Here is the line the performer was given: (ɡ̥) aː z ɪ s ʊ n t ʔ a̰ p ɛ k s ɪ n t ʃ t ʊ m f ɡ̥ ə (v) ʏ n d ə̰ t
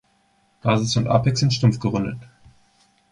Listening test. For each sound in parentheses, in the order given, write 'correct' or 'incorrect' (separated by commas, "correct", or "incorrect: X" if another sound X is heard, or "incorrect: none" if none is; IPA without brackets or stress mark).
correct, incorrect: ʁ